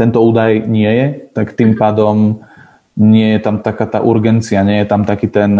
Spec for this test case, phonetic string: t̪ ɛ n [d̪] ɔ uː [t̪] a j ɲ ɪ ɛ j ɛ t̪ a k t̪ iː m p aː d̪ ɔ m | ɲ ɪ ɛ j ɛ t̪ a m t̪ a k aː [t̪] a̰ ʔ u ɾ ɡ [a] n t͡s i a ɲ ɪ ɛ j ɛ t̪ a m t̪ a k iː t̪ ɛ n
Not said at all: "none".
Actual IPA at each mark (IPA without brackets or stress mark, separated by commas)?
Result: t̪, d̪, t̪, ɛ